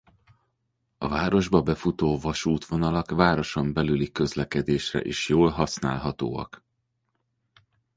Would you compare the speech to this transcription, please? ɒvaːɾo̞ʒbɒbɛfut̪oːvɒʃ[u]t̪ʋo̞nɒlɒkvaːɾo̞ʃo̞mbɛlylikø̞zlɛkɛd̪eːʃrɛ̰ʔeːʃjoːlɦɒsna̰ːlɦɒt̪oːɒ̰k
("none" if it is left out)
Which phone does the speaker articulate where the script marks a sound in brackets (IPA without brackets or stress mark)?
uː